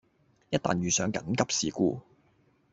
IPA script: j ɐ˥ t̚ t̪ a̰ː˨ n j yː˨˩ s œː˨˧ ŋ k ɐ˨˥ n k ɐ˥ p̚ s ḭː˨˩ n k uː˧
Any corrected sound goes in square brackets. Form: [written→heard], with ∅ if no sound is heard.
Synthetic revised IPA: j ɐ˥ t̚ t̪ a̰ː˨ n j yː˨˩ s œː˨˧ ŋ k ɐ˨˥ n k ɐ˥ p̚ s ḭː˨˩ [n→∅] k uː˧